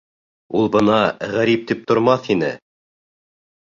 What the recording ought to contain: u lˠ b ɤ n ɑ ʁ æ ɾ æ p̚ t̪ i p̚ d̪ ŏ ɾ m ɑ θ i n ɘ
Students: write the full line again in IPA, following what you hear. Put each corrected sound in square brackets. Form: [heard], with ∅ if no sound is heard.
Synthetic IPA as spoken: u lˠ b ɤ n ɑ ʁ æ ɾ [i] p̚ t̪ i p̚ [t̪] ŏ ɾ m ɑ θ i n ɘ